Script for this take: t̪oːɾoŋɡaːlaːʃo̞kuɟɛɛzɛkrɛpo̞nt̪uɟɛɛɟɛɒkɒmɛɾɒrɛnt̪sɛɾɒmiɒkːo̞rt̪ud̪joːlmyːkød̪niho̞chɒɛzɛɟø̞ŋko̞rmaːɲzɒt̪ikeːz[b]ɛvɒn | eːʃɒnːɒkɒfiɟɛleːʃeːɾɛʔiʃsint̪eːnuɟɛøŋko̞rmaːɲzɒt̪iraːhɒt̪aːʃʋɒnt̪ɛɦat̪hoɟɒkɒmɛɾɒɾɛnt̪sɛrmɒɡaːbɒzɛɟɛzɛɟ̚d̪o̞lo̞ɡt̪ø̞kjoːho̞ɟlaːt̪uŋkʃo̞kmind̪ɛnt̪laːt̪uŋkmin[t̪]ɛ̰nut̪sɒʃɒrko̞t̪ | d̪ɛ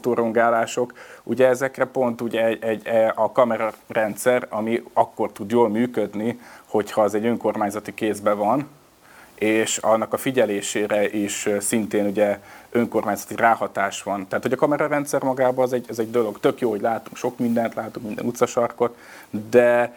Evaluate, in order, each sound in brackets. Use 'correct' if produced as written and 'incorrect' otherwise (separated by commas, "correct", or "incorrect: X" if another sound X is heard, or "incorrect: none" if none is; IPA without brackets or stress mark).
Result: correct, incorrect: d̪